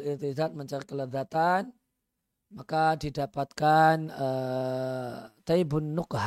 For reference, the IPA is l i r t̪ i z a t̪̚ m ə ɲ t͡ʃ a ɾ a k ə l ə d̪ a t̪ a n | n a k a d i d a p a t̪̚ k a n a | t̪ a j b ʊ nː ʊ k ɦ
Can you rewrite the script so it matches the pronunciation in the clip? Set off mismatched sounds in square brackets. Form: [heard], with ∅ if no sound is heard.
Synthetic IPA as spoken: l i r t̪ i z a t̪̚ m ə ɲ t͡ʃ a ɾ [i] k ə l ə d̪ a t̪ a n | [m] a k a d i d a p a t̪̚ k a n [ə] | t̪ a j b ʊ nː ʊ k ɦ